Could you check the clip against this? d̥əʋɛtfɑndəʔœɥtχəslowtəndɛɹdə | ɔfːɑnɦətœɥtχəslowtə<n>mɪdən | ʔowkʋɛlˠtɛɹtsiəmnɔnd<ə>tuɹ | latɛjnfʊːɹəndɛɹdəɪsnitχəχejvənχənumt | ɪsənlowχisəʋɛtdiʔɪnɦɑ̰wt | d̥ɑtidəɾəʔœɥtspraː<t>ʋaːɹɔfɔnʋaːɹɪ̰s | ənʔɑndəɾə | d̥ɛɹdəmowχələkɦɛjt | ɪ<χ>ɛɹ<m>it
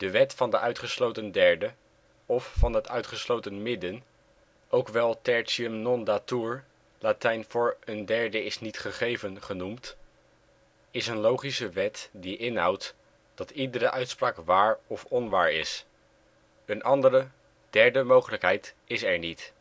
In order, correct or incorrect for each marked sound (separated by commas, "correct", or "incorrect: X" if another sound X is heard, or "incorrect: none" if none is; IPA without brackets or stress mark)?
correct, incorrect: a, incorrect: k, incorrect: s, incorrect: n